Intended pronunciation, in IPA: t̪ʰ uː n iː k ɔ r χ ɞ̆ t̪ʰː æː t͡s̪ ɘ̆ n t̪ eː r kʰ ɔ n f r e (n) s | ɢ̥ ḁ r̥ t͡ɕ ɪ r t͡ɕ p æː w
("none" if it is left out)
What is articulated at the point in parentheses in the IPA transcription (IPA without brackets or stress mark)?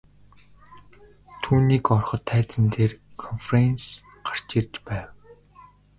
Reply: n